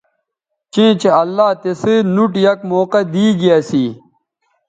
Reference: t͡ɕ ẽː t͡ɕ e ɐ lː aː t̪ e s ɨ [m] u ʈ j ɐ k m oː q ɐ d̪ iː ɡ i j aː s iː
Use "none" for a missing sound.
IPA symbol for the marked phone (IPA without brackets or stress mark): n